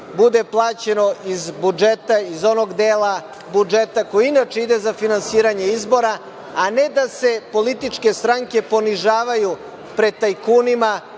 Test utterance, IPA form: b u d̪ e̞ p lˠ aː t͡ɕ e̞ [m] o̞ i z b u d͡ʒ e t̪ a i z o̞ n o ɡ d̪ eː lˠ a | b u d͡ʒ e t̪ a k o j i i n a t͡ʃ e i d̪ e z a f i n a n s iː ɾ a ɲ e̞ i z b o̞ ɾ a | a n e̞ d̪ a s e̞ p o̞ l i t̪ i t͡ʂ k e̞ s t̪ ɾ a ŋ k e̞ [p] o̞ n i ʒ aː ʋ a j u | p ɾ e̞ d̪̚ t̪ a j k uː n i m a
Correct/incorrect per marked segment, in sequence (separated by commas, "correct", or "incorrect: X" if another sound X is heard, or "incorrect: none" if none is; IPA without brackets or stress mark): incorrect: n, correct